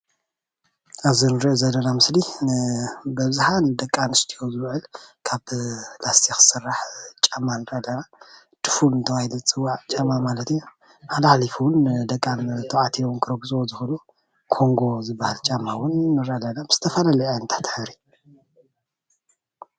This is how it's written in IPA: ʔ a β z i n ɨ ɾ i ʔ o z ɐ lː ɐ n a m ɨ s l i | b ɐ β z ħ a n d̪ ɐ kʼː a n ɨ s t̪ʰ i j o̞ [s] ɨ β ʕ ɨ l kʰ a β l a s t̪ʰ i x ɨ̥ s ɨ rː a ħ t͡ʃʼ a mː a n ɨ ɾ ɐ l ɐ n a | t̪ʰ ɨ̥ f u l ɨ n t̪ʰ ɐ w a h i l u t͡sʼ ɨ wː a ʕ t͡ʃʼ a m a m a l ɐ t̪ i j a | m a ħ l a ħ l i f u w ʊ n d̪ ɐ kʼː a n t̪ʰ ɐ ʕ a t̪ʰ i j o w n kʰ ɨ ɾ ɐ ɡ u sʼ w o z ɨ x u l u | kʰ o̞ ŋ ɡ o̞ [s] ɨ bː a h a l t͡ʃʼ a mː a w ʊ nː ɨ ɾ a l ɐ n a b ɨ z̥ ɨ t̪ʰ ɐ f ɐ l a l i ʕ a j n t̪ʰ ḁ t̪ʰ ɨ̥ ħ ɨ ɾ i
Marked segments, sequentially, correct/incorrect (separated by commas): incorrect, incorrect